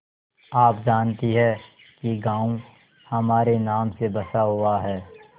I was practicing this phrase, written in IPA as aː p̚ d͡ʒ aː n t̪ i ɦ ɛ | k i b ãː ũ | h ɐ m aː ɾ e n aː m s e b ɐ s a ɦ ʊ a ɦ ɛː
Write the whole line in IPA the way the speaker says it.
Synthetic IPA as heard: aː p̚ d͡ʒ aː n t̪ i ɦ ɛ | k i ɡ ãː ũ | h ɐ m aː ɾ e n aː m s e b ɐ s a ɦ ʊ a ɦ ɛː